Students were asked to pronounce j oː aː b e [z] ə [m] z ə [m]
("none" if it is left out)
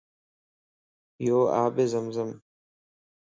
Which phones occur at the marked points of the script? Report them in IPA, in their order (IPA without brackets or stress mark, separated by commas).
z, m, m